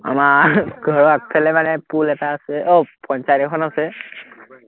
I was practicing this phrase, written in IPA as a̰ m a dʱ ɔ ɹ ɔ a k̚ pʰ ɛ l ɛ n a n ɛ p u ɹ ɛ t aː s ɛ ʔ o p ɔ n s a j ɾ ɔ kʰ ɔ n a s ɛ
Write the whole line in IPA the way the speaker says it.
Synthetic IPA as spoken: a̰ m a ɡʱ ɔ ɹ ɔ a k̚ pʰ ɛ l ɛ m a n ɛ p u l ɛ t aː s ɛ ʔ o p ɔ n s a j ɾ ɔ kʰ ɔ n a s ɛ